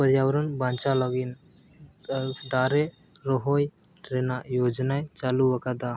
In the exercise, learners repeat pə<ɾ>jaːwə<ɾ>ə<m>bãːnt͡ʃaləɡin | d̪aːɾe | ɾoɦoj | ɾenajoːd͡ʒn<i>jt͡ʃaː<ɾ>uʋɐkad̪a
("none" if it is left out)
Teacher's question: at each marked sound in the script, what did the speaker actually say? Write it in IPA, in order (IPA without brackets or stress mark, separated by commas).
ɾ, ɾ, n, a, l